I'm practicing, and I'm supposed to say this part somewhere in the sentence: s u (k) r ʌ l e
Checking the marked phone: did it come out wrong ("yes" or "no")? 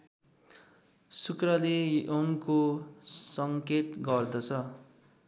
no